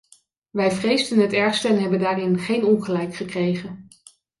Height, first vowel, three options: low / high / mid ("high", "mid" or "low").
mid